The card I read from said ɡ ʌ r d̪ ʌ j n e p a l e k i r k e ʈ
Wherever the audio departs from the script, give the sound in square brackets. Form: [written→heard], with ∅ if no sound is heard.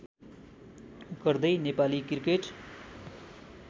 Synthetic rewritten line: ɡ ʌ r d̪ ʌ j n e p a l [e→i] k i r k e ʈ

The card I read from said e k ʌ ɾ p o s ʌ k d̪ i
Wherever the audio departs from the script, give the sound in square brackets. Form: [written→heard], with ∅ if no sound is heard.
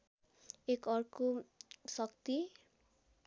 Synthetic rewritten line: e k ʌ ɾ [p→k] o s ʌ k [d̪→t̪] i

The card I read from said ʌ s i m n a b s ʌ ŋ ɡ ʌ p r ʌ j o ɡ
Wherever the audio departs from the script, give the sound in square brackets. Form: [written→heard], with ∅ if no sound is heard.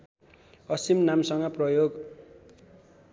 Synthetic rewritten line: ʌ s i m n a [b→m] s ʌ ŋ ɡ ʌ p r ʌ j o ɡ

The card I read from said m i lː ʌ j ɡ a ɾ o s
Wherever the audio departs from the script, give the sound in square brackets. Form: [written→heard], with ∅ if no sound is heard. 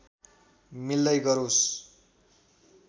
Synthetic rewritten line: m i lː ʌ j ɡ [a→ʌ] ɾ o s

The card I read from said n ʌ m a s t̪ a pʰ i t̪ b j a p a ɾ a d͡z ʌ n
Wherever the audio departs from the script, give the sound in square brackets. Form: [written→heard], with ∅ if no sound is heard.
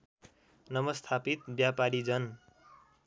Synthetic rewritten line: n ʌ m [a→ʌ] s [t̪→t̪ʰ] a [pʰ→p] i t̪ b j a p a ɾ [a→i] d͡z ʌ n

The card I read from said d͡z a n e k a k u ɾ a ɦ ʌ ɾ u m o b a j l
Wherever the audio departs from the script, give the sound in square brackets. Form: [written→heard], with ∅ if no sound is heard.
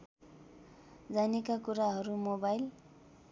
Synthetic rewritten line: d͡z a n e k a k u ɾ a ɦ ʌ ɾ u m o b a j l

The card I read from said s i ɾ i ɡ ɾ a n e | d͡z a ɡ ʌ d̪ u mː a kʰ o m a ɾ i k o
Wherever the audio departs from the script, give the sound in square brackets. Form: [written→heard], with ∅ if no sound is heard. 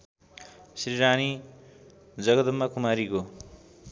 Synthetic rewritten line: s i ɾ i [ɡ→∅] ɾ a n [e→i] | d͡z [a→ʌ] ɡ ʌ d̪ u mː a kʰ [o→u] m a ɾ i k o

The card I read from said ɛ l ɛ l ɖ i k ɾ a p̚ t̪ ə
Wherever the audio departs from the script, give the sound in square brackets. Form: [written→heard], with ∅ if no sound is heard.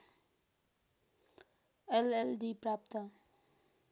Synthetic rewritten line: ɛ l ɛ l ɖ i [k→p] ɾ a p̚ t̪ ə

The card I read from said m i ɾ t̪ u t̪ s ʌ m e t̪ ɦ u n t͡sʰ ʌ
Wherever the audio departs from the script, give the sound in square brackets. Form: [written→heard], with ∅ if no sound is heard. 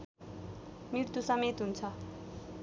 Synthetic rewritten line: m i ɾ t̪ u [t̪→∅] s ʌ m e t̪ ɦ u n t͡sʰ ʌ

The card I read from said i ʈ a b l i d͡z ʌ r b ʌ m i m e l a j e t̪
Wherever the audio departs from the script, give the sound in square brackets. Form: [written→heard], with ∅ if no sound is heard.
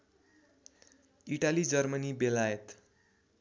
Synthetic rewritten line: i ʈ a [b→∅] l i d͡z ʌ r [b→m] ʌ [m→n] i [m→b] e l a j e t̪

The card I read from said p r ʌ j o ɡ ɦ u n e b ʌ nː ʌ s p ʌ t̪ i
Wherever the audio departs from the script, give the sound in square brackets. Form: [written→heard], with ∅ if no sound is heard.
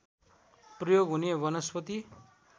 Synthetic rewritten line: p r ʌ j o ɡ ɦ u n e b ʌ [nː→n] ʌ s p ʌ t̪ i

